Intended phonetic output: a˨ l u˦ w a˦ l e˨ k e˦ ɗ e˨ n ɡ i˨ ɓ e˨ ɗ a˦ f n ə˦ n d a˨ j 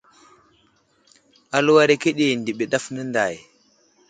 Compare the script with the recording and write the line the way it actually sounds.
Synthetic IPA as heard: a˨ l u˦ w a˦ ɾ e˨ k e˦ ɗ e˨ n d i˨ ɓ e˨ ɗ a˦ f n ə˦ n d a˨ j